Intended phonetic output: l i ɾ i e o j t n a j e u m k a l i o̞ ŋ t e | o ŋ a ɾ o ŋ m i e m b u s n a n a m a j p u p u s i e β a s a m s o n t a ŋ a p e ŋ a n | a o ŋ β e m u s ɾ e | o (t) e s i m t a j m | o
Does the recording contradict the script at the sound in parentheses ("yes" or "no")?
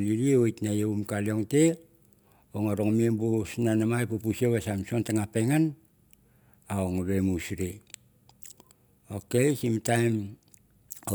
yes